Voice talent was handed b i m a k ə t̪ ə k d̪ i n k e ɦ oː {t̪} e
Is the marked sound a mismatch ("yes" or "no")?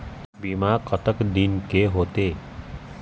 no